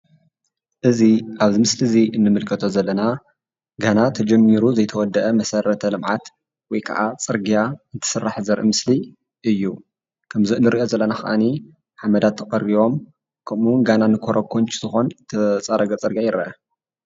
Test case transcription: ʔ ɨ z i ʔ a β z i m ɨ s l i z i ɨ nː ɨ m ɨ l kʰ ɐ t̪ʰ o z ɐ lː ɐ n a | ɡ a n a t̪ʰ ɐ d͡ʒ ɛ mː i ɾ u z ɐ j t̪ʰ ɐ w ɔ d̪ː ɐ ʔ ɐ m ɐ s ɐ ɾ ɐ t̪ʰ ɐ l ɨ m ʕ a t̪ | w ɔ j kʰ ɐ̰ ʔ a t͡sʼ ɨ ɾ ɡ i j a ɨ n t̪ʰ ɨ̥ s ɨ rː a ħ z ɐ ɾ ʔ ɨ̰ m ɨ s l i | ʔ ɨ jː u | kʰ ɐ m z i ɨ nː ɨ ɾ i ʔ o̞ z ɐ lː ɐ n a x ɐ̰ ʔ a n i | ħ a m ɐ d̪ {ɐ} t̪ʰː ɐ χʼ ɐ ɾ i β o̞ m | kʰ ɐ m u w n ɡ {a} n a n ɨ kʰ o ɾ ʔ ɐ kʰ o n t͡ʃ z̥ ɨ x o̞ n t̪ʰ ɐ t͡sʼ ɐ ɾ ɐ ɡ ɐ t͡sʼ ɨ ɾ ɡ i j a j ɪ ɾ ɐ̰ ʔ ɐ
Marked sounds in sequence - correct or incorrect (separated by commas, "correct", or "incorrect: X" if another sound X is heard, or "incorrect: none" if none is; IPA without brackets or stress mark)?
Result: incorrect: a, correct